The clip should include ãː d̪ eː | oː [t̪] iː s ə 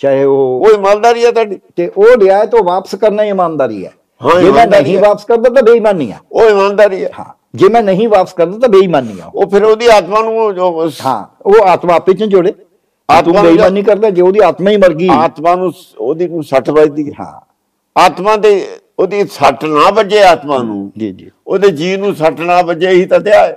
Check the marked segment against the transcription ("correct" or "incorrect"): incorrect